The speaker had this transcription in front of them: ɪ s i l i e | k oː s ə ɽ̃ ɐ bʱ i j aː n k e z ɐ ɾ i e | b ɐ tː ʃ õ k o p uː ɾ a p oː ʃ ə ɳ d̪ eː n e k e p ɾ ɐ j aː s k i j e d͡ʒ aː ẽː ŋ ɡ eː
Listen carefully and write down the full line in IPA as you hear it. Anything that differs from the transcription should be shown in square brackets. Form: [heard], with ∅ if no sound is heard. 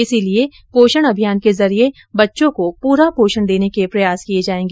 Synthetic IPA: ɪ s i l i e | [p] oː [ʃ] ə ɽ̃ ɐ bʱ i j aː n k e z ɐ ɾ i e | b ɐ tː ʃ õ k o p uː ɾ a p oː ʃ ə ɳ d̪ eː n e k e p ɾ ɐ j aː s k i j e d͡ʒ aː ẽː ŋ ɡ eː